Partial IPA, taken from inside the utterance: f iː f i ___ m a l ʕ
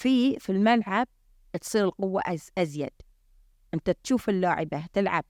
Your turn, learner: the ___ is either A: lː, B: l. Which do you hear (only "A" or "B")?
B